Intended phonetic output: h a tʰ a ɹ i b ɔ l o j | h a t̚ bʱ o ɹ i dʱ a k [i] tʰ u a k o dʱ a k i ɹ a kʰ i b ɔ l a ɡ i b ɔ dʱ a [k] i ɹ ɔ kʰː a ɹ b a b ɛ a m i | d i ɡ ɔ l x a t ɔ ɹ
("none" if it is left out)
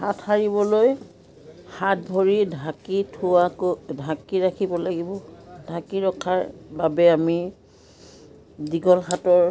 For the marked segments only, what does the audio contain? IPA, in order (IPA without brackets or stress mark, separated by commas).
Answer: i, k